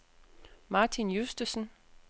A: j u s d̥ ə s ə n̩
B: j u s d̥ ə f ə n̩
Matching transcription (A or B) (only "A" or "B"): A